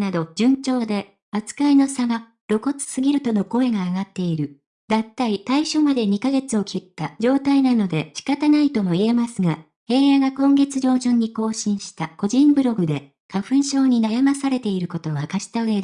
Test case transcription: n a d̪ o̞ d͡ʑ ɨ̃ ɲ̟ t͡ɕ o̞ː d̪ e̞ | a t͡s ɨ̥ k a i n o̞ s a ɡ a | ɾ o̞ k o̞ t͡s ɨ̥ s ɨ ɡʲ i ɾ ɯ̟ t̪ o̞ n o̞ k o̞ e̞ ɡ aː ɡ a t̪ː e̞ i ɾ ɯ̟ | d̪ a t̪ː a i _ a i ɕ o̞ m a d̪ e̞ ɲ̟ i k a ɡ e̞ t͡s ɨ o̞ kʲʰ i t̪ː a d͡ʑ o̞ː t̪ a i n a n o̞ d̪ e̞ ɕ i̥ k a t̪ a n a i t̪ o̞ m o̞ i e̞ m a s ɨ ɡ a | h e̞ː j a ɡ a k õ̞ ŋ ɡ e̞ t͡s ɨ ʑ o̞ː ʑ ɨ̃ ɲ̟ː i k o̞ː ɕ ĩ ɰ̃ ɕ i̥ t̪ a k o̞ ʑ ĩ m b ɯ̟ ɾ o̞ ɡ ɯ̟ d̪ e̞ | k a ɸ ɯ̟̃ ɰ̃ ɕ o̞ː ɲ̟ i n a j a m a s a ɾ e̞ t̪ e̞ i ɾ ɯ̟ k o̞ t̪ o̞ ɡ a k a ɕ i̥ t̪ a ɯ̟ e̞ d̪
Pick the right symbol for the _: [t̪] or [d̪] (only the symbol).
t̪